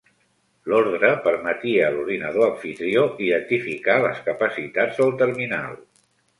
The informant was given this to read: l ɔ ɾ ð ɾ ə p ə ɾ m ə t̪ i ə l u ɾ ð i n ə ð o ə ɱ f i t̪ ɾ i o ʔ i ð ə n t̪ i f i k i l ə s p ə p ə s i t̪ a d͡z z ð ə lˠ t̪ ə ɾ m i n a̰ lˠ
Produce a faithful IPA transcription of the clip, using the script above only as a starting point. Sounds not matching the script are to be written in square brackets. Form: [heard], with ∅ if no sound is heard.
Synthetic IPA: l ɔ ɾ ð ɾ ə p ə ɾ m ə t̪ i ə l u ɾ ð i n ə ð o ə ɱ f i t̪ ɾ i o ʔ i ð ə n t̪ i f i k [a] l ə s [k] ə p ə s i t̪ a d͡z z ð ə lˠ t̪ ə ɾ m i n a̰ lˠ